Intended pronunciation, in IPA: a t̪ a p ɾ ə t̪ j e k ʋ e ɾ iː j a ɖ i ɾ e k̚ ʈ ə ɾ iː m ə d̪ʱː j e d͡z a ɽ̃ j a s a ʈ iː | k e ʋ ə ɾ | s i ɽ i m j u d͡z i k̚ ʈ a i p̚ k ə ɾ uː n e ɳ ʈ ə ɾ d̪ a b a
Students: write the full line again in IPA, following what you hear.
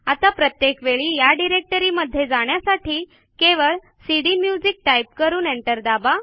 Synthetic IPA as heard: a t̪ a p ɾ ə t̪ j e k ʋ e ɭ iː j a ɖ i ɾ e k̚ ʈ ə ɾ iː m ə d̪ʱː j e d͡z a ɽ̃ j a s a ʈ iː | k e ʋ ə ɭ | s i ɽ i m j u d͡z i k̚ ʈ a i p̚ k ə ɾ uː n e ɳ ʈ ə ɾ d̪ a b a